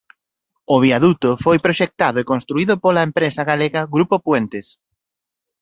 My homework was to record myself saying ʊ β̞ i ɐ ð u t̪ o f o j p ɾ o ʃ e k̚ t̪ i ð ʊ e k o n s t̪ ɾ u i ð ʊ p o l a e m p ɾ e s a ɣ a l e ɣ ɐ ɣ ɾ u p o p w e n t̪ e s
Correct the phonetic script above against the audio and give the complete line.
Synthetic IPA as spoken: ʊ β̞ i a ð u t̪ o f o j p ɾ o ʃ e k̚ t̪ a ð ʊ e k o n s t̪ ɾ u i ð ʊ p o l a e m p ɾ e s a ɣ a l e ɣ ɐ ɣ ɾ u p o p w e n t̪ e s